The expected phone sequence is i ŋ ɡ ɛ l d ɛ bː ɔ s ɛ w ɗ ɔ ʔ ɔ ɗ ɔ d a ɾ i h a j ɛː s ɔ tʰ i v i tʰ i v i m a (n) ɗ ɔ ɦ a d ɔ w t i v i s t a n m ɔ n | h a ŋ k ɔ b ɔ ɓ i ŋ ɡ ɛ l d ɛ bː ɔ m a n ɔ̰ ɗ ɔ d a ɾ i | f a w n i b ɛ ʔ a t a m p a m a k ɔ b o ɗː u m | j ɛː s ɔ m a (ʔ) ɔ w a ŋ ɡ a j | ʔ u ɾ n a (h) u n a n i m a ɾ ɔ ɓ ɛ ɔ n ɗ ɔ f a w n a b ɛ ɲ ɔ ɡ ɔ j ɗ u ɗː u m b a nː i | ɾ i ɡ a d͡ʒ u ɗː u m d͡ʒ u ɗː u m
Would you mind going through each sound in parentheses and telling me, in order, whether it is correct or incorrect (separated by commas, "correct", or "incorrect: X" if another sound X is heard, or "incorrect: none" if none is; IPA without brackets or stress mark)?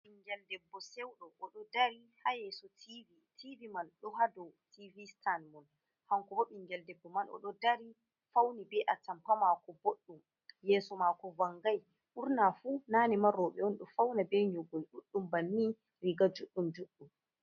correct, incorrect: k, incorrect: f